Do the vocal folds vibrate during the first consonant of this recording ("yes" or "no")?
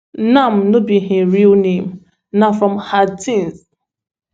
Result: yes